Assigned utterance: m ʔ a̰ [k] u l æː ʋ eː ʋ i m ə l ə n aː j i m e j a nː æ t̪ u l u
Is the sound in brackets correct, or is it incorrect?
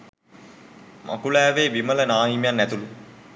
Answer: correct